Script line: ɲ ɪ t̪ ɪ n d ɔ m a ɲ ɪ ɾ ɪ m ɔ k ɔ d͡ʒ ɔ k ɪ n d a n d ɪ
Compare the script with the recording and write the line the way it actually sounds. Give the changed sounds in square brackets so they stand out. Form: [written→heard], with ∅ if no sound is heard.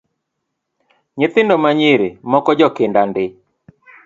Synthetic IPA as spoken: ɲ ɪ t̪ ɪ n d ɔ m a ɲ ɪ ɾ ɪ m ɔ k ɔ d͡ʒ ɔ k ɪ n d a n d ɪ